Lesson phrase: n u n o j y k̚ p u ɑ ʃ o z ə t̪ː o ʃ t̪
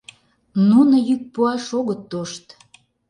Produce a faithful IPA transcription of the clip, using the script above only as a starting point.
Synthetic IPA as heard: n u n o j y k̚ p u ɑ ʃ o ɣ ə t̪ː o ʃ t̪